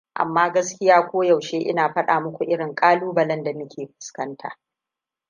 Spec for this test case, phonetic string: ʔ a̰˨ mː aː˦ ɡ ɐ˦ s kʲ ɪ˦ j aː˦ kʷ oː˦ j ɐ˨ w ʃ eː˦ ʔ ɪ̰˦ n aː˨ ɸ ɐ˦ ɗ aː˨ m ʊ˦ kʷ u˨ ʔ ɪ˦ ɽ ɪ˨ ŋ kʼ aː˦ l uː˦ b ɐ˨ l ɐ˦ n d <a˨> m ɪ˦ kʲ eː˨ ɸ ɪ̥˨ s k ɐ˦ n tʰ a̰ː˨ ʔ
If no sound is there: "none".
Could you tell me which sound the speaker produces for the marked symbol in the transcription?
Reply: a˨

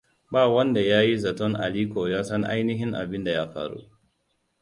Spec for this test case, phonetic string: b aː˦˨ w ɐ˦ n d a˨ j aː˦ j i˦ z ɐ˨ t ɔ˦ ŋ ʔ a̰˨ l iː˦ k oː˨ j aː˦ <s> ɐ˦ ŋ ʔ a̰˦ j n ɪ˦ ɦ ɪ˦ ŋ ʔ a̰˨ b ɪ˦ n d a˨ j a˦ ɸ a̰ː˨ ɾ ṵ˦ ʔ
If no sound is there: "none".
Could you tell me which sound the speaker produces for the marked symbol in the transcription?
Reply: s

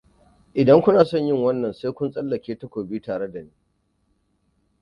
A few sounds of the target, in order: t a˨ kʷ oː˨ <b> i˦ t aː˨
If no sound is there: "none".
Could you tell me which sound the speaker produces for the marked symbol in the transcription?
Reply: b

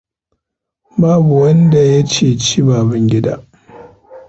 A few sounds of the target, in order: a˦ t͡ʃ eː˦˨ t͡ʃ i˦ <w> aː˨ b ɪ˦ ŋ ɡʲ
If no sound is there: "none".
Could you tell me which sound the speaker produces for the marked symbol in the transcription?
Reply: b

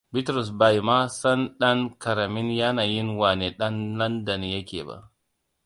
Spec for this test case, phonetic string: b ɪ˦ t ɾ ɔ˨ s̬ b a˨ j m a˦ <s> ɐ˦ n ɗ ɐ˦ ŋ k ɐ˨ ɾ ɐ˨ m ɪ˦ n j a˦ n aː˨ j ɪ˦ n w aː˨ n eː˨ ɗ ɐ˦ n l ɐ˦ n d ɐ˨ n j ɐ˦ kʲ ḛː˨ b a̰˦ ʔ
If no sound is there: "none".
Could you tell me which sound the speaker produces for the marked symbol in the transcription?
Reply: s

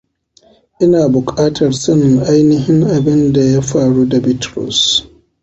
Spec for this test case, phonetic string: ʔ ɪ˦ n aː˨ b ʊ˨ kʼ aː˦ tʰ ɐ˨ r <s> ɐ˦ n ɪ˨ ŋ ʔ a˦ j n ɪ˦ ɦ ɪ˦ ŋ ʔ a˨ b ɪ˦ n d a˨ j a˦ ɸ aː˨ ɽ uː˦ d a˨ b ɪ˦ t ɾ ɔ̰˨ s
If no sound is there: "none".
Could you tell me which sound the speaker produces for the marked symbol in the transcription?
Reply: s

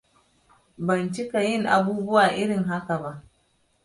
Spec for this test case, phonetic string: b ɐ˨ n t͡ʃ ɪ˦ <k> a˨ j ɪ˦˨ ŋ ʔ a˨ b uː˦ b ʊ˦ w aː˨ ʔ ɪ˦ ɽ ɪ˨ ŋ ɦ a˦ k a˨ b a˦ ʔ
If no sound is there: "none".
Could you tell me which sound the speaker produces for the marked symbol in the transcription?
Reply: k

